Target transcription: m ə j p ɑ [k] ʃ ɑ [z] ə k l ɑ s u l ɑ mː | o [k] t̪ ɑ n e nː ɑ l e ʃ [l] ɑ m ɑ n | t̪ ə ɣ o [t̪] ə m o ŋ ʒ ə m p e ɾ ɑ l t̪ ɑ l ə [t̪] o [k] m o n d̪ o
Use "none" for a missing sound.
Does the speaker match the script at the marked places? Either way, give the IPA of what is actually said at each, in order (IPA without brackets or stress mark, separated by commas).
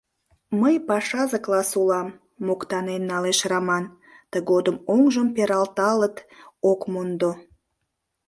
none, z, k, r, d̪, t̪, k